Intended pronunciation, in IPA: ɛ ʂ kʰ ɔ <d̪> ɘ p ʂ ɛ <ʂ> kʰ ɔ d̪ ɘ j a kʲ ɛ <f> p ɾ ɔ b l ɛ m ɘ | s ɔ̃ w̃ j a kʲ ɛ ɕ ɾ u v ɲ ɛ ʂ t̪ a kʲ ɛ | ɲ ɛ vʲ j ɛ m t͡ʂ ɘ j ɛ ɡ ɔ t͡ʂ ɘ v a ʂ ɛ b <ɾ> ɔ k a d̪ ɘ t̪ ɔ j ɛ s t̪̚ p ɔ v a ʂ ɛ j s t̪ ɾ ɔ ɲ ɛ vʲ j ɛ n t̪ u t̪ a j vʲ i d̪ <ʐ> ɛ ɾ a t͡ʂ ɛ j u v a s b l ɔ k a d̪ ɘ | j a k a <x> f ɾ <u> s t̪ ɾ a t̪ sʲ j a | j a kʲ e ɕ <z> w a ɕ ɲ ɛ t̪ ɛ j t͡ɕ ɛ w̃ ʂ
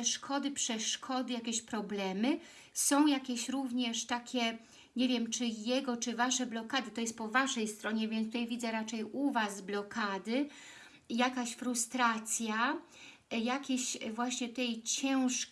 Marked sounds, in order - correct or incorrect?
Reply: correct, correct, incorrect: ɕ, incorrect: l, incorrect: z, incorrect: ɕ, correct, incorrect: v

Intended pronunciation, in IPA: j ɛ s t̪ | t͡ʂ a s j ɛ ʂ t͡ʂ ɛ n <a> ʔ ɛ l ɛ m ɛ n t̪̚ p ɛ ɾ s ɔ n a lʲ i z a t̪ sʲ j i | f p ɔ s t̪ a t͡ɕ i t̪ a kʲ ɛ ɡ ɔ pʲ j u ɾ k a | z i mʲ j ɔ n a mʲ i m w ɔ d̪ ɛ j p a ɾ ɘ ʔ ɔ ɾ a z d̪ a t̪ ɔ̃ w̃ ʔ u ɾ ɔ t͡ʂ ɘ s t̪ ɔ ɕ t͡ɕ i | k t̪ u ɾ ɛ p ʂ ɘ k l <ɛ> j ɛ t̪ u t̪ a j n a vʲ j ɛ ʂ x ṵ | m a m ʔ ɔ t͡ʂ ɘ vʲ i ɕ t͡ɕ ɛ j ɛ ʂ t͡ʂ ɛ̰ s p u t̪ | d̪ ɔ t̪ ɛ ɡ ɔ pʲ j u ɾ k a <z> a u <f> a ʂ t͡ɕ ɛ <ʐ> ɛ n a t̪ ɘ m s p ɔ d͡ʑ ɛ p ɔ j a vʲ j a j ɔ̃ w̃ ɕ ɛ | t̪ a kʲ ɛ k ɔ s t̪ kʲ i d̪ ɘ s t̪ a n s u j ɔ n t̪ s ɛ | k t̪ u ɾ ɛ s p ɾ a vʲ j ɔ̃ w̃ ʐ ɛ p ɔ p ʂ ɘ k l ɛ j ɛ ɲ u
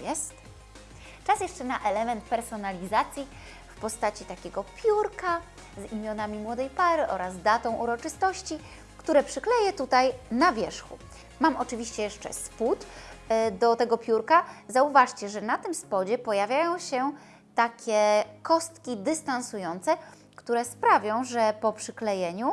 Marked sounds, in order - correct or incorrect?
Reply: correct, correct, correct, incorrect: v, correct

